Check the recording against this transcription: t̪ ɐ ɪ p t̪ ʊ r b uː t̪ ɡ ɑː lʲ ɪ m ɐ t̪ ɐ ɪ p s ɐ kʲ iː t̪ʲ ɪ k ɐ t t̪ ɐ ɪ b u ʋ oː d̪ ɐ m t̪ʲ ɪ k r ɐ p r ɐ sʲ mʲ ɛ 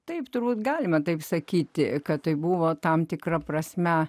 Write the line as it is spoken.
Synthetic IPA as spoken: t̪ ɐ ɪ p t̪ ʊ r b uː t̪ ɡ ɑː lʲ ɪ m ɐ t̪ ɐ ɪ p s ɐ kʲ iː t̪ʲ ɪ k ɐ t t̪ ɐ ɪ b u ʋ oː t̪ ɐ m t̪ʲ ɪ k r ɐ p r ɐ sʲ mʲ ɛ